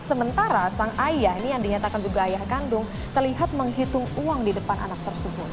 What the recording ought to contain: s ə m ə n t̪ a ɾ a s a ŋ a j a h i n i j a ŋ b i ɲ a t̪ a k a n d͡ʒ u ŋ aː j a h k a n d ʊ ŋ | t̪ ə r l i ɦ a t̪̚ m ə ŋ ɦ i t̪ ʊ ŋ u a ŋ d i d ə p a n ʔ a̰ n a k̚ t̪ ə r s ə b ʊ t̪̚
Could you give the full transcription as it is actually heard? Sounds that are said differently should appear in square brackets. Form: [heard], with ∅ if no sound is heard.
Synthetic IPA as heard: s ə m ə n t̪ a ɾ a s a ŋ a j a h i n i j a ŋ [d] i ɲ a t̪ a k a n d͡ʒ u [ɡ] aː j a h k a n d ʊ ŋ | t̪ ə r l i ɦ a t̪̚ m ə ŋ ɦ i t̪ ʊ ŋ u a ŋ d i d ə p a n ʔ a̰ n a k̚ t̪ ə r s ə b ʊ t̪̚